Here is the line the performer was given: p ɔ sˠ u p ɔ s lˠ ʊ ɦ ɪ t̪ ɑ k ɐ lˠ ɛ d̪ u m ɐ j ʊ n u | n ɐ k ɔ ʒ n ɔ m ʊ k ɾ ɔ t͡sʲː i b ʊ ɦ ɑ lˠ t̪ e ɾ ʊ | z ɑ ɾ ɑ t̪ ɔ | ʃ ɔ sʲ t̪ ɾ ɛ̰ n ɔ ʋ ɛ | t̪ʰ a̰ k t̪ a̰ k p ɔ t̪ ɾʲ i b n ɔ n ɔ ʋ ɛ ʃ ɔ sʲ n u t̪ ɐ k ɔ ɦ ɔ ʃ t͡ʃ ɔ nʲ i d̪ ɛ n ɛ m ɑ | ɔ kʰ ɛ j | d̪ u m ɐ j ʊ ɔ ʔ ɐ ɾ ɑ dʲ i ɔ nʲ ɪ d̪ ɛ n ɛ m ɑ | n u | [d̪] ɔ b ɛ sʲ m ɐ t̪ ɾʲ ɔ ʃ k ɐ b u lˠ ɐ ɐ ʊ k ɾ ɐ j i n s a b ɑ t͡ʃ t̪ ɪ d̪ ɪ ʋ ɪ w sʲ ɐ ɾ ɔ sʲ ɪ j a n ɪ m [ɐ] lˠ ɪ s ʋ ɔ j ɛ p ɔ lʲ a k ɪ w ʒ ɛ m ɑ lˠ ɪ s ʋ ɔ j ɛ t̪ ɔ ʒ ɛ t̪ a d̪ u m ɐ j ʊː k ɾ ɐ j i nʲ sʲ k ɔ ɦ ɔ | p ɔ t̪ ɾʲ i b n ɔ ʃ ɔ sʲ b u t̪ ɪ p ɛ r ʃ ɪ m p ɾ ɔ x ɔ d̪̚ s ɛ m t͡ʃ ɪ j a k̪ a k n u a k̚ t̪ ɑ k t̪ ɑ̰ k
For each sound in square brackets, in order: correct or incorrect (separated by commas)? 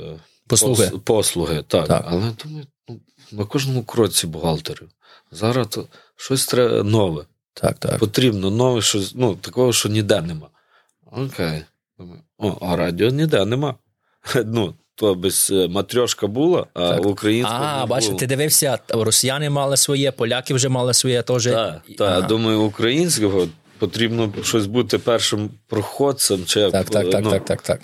incorrect, incorrect